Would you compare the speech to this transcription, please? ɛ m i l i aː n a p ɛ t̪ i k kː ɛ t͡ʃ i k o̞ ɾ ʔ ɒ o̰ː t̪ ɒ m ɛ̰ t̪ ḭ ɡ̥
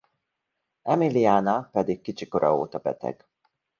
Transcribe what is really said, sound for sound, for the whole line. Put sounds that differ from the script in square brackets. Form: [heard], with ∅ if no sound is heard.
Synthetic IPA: ɛ m i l i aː n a p ɛ [d̪] i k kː [i] t͡ʃ i k o̞ ɾ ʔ ɒ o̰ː t̪ ɒ [b] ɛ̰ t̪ [ɛ̰] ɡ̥